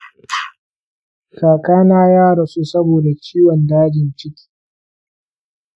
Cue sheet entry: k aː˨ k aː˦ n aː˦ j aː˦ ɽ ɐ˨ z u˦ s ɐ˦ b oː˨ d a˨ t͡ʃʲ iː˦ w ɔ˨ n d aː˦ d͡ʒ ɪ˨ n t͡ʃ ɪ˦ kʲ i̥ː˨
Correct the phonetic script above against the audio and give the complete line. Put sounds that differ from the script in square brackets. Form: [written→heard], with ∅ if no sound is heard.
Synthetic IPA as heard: k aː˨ k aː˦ n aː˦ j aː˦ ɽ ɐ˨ [z→s] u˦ s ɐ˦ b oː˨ d a˨ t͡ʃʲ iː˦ w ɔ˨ n d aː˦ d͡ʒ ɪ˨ n t͡ʃ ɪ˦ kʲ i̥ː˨